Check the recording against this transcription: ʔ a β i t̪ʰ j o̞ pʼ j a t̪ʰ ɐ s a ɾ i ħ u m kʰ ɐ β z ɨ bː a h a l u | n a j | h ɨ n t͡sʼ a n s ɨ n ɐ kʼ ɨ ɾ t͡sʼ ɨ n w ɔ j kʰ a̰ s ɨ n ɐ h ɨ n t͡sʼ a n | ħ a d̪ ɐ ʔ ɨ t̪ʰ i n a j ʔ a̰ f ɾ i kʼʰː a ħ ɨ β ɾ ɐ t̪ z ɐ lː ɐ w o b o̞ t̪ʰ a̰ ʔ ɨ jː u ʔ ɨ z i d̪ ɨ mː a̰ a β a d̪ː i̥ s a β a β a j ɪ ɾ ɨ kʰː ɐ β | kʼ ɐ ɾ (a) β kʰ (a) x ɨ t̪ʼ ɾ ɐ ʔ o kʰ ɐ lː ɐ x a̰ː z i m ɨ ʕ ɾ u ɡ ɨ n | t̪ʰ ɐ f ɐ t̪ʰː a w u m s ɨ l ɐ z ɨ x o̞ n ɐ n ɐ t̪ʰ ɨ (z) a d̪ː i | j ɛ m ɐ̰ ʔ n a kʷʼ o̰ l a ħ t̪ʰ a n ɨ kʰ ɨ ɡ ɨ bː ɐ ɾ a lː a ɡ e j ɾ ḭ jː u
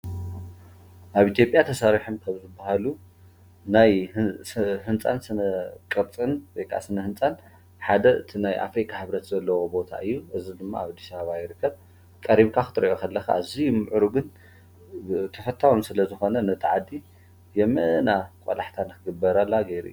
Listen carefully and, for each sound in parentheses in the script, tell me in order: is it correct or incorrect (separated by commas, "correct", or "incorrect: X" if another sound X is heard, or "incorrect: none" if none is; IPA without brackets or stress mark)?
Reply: incorrect: i, correct, incorrect: ʕ